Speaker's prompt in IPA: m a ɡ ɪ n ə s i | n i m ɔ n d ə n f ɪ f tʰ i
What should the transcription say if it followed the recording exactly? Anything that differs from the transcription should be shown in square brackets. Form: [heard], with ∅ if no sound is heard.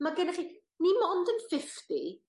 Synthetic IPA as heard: m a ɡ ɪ n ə [χ] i | n i m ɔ n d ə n f ɪ f [t] i